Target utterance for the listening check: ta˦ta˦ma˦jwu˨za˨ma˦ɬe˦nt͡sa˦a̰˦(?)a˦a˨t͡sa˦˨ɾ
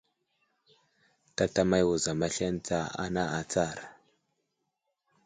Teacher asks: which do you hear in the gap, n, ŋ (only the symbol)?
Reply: n